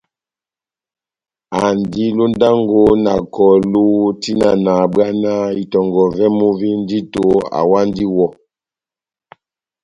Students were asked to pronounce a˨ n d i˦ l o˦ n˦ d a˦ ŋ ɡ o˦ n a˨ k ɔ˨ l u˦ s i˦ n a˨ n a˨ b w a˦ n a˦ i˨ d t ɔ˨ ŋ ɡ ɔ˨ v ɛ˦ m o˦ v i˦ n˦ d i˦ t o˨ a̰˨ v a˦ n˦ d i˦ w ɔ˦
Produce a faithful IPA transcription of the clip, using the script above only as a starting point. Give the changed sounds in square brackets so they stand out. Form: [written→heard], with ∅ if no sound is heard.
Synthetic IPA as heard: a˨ n d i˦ l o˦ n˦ d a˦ ŋ ɡ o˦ n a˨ k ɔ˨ l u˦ [s→t] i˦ n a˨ n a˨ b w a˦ n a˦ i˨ [d→∅] t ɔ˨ ŋ ɡ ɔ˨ v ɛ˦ m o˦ v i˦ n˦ d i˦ t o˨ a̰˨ [v→w] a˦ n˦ d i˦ w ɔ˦